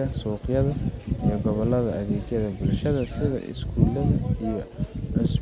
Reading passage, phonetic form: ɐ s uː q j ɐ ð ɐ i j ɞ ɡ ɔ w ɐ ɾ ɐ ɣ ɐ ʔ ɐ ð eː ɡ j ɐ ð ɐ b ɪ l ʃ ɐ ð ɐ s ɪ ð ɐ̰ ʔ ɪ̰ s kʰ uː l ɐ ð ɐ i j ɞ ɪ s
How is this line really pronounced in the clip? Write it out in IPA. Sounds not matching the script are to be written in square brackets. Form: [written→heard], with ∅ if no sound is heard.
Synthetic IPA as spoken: ɐ s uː q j ɐ ð ɐ i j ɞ ɡ ɔ [w→β] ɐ [ɾ→l] ɐ [ɣ→ð] ɐ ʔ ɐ ð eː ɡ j ɐ ð ɐ b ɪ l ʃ ɐ ð ɐ s ɪ ð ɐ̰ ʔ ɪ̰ s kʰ uː l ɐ ð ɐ i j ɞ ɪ s